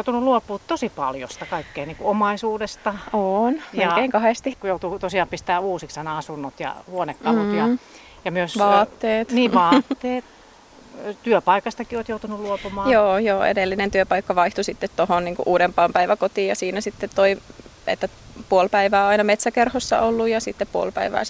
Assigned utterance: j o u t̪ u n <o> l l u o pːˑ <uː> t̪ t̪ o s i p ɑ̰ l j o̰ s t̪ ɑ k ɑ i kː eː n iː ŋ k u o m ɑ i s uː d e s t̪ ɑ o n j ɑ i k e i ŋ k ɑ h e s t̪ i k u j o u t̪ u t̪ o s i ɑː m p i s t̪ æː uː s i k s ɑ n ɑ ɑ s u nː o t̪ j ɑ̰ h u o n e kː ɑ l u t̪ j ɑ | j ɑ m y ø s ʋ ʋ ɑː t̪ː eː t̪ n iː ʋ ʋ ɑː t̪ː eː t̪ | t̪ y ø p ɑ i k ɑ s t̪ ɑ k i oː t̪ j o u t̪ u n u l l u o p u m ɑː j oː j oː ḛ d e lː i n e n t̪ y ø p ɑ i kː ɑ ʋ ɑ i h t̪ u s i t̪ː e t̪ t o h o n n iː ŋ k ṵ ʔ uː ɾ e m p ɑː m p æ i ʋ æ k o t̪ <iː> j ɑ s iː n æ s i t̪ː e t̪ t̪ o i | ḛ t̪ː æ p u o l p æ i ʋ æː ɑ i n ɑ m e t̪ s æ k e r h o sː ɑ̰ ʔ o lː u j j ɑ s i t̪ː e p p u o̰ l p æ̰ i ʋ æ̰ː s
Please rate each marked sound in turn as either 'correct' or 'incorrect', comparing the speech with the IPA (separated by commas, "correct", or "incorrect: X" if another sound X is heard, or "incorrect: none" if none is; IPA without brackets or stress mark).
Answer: incorrect: u, correct, correct